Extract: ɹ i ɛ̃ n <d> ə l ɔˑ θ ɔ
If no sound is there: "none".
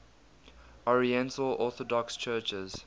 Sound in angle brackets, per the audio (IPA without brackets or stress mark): t